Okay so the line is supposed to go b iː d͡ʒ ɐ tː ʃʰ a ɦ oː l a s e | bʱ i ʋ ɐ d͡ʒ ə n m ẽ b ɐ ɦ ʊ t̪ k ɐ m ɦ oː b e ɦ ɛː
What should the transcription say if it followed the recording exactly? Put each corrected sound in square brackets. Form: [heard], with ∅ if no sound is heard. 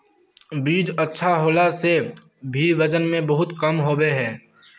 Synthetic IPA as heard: b iː d͡ʒ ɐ tː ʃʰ a ɦ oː l a s e | bʱ i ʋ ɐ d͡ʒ ə n m ẽ b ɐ ɦ ʊ t̪ k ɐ m ɦ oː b e ɦ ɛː